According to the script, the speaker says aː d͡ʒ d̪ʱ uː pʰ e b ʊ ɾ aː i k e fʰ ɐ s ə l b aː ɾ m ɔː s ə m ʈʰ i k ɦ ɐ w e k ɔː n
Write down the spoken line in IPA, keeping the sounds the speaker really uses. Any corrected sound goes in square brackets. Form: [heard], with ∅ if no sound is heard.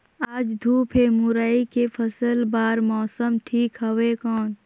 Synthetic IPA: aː d͡ʒ d̪ʱ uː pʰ e [m] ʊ ɾ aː i k e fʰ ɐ s ə l b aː ɾ m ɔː s ə m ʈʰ [iː] k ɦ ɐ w e k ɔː n